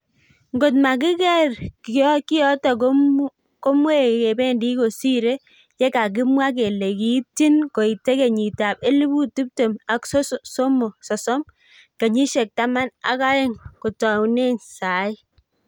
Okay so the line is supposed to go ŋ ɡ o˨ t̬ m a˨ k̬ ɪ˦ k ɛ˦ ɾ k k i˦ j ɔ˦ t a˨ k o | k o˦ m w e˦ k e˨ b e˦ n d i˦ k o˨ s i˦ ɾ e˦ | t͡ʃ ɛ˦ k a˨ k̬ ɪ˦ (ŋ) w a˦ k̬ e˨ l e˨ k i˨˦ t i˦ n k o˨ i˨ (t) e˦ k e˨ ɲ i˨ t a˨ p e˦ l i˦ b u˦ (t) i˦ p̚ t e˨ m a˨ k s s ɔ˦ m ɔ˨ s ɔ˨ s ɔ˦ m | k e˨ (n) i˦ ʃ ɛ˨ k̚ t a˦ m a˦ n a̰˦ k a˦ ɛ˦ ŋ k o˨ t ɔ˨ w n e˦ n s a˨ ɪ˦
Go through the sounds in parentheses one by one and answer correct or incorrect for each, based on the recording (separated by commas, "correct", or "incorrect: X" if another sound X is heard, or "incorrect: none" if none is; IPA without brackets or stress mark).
incorrect: m, correct, correct, incorrect: ɲ